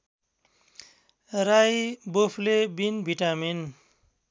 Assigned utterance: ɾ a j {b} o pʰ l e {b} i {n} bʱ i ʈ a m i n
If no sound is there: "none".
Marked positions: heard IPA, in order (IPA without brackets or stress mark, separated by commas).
b, b, n